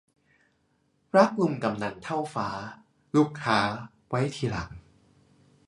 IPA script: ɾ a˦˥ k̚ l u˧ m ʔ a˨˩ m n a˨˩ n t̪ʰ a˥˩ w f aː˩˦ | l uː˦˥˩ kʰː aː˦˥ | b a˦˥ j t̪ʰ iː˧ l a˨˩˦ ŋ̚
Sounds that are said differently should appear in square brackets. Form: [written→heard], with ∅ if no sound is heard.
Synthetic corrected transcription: ɾ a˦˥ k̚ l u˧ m [ʔ→k] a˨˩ m n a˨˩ n t̪ʰ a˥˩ w f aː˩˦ | l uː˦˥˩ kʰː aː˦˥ | [b→w] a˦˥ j t̪ʰ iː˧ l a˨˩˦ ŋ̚